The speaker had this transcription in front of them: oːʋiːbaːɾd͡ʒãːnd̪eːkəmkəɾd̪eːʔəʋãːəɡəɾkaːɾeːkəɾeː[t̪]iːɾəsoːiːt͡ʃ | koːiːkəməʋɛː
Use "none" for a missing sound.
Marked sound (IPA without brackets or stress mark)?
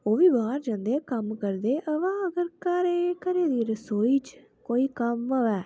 d̪